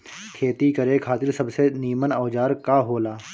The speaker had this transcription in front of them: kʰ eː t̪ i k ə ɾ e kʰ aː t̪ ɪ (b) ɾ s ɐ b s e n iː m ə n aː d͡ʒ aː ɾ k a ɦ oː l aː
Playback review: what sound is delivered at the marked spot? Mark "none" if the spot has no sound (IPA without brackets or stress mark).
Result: none